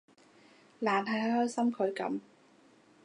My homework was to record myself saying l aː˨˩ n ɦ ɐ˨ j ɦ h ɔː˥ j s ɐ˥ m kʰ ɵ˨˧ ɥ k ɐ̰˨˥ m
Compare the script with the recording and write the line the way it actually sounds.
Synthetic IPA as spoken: l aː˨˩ n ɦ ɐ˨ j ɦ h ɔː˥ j s ɐ˥ m kʰ ɵ˨˧ ɥ k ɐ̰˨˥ m